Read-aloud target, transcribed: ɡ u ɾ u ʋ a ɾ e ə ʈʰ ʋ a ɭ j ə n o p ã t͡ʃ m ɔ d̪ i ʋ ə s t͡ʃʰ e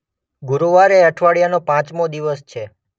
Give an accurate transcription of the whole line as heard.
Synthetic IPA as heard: ɡ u ɾ u ʋ a ɾ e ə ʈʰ ʋ a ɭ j a n o p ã t͡ʃ m o d̪ i ʋ ə s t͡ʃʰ e